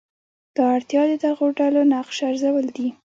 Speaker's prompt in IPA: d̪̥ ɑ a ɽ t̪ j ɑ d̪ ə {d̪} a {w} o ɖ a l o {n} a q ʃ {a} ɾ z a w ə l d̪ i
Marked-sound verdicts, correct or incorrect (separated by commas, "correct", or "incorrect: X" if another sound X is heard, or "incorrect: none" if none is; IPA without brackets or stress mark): correct, incorrect: ɣ, correct, correct